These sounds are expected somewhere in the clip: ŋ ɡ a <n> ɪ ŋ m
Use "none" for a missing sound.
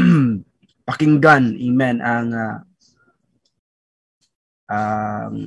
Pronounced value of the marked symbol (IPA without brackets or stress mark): n